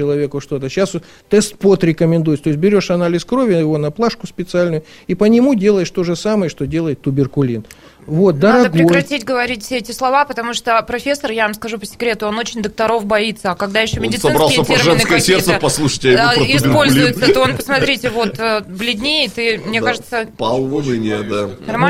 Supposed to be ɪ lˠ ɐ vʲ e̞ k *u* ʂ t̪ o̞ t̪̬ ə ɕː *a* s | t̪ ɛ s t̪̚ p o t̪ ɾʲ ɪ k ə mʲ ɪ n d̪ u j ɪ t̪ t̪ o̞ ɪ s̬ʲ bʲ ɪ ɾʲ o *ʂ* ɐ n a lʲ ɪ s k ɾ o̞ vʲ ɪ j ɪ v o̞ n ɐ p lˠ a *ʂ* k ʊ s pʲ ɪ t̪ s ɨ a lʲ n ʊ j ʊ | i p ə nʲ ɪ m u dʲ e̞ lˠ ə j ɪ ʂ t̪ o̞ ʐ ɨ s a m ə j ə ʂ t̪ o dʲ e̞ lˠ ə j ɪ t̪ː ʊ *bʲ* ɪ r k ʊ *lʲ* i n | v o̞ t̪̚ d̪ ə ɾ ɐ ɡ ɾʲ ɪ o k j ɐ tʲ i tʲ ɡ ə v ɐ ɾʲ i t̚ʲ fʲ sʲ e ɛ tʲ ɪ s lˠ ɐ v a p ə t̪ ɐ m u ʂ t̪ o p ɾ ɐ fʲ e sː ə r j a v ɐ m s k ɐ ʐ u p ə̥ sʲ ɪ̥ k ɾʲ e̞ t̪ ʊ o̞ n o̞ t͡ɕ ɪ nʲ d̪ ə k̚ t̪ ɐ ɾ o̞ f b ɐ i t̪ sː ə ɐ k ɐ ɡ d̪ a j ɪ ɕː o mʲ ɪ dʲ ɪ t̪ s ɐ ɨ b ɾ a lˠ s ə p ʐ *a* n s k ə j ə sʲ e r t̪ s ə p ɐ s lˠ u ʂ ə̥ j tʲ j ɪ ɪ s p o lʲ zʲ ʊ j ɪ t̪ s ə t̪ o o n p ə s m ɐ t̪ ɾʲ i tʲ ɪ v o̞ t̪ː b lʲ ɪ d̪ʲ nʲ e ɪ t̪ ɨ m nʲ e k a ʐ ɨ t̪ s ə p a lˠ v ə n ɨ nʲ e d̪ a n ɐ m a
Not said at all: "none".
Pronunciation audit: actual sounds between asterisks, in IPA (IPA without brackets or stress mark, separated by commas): ʊ, a, ʂ, ʂ, bʲ, lʲ, ɛ